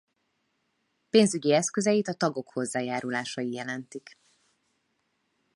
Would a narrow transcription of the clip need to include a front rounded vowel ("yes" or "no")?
yes